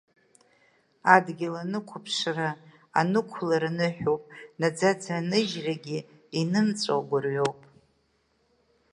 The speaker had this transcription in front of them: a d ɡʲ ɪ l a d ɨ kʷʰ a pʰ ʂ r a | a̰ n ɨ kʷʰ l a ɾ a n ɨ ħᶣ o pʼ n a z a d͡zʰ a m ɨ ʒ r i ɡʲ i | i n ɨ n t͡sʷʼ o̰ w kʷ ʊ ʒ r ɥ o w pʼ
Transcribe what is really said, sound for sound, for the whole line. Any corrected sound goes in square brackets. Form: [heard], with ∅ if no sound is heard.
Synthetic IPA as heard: a d ɡʲ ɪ l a [n] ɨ kʷʰ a pʰ ʂ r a | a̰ n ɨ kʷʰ l a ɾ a n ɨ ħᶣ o pʼ n a [d͡z] a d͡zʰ a [n] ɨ ʒ r [a] ɡʲ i | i n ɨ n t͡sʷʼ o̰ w [ɡʷ] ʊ [∅] r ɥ o w pʼ